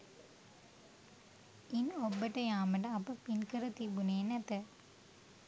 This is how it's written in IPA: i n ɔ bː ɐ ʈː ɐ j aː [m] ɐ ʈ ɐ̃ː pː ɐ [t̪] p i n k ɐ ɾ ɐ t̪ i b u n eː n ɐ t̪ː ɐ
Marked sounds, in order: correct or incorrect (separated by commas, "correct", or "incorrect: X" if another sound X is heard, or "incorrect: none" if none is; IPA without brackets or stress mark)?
correct, incorrect: none